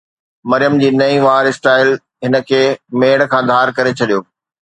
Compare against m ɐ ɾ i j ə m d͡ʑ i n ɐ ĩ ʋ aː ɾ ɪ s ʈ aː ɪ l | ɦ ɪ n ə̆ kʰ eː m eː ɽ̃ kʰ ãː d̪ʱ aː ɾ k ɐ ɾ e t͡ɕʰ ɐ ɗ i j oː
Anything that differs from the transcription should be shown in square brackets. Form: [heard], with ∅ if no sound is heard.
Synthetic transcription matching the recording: m ɐ ɾ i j ə m d͡ʑ [iː] n ɐ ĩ ʋ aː ɾ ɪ s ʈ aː ɪ l | ɦ ɪ n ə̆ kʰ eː m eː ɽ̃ kʰ ãː d̪ʱ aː ɾ k ɐ ɾ e t͡ɕʰ ɐ ɗ i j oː